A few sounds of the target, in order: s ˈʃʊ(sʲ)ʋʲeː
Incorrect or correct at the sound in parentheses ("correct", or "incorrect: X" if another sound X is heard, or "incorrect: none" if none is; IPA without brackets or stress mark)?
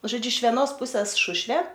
incorrect: ʃʲ